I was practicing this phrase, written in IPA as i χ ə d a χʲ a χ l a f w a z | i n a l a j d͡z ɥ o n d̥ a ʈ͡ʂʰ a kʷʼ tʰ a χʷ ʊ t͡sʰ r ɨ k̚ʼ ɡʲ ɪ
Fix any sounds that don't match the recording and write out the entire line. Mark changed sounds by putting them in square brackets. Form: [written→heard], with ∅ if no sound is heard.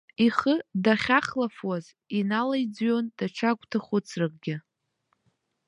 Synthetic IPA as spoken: i χ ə d a χʲ a χ l a f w a z | i n a l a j d͡z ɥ o n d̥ a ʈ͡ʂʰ a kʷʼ tʰ a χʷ ʊ t͡sʰ r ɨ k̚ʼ ɡʲ ɪ